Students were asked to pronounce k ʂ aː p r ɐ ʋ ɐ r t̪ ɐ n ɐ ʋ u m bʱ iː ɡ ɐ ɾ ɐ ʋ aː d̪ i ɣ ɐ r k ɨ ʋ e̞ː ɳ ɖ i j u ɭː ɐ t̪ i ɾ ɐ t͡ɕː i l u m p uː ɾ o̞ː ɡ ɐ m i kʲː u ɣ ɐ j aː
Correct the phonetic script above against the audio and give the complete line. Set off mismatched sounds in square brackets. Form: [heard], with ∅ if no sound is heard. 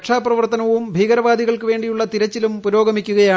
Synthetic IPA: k ʂ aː p r ɐ ʋ ɐ r t̪ ɐ n ɐ ʋ u m bʱ iː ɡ ɐ ɾ ɐ ʋ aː d̪ i ɣ ɐ [ɭ] k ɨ ʋ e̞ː ɳ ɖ i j u ɭː ɐ t̪ i ɾ ɐ t͡ɕː i l u m p [u] ɾ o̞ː ɡ ɐ m i kʲː u ɣ ɐ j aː